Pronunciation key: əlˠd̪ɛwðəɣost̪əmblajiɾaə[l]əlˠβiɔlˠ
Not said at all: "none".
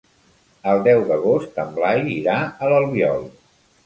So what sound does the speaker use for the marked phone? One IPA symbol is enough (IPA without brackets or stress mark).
l